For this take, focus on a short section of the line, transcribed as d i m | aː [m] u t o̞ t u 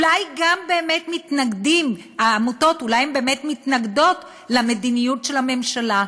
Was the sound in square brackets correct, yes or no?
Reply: yes